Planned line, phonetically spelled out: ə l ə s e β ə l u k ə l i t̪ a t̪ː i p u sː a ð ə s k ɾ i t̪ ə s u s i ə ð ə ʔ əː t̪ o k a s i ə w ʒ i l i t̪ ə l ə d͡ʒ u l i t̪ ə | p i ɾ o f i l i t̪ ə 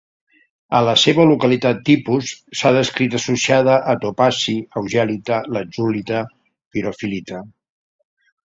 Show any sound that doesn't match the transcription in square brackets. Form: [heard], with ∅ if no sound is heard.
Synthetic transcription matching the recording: ə l ə s e β ə l u k ə l i t̪ a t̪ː i p u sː a ð ə s k ɾ i t̪ ə s u s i [a] ð ə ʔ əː t̪ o [p] a s i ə w ʒ [ɛ] l i t̪ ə l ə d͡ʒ u l i t̪ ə | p i ɾ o f i l i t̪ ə

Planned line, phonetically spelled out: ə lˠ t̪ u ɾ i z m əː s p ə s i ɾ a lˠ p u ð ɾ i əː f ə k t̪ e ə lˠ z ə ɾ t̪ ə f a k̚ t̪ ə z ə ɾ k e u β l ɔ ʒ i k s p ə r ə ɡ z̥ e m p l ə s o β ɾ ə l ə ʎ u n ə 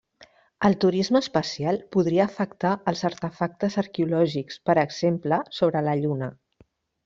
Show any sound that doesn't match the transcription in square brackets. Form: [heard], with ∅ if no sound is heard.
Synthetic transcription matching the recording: ə lˠ t̪ u ɾ i z m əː s p ə s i [∅] a lˠ p u ð ɾ i əː f ə k t̪ [a] ə lˠ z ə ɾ t̪ ə f a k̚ t̪ ə z ə ɾ k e u [∅] l ɔ ʒ i k s p ə [ɾ] ə ɡ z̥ e m p l ə s o β ɾ ə l ə ʎ u n ə

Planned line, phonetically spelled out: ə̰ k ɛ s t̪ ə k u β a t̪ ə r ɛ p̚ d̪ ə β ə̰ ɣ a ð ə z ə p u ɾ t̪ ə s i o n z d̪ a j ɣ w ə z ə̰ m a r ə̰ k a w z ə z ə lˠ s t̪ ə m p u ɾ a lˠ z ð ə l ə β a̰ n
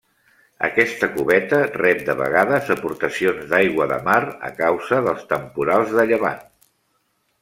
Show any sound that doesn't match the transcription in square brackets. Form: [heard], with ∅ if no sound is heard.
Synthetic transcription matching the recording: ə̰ k ɛ s t̪ ə k u β [ɛ] t̪ ə r ɛ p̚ d̪ ə β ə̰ ɣ a ð ə z ə p u ɾ t̪ ə s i o n z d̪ a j ɣ w ə [ð] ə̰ m a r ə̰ k a w z ə [ð] ə lˠ s t̪ ə m p u ɾ a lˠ z ð ə [ʎ] ə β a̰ n

